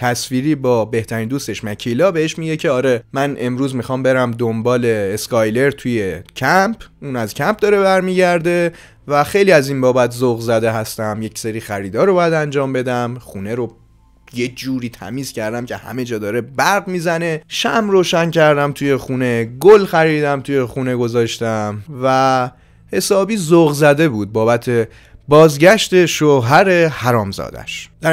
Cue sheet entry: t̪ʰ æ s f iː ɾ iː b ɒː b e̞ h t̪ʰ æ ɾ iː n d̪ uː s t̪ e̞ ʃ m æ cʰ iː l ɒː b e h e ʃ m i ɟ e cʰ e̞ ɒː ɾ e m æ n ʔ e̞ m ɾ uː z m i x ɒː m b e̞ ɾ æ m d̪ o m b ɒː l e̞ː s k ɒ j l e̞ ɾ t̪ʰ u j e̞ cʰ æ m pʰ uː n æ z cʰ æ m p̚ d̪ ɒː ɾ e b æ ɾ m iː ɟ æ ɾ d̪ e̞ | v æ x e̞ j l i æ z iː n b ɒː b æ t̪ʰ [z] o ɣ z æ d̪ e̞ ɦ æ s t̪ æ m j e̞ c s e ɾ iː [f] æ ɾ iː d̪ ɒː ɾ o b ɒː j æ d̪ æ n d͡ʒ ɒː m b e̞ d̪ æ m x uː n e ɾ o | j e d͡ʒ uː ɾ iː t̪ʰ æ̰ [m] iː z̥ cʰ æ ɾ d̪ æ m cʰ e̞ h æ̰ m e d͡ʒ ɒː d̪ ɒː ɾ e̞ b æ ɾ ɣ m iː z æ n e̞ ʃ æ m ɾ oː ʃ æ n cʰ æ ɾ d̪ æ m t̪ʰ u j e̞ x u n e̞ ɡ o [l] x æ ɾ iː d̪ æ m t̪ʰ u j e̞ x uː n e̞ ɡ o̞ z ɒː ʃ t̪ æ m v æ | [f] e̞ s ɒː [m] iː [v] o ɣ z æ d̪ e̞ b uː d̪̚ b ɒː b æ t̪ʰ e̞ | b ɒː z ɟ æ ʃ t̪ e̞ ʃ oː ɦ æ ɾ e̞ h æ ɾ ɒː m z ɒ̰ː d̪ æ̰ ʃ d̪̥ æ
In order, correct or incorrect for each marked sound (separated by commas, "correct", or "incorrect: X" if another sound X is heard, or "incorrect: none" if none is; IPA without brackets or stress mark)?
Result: correct, incorrect: x, correct, correct, incorrect: h, incorrect: b, incorrect: z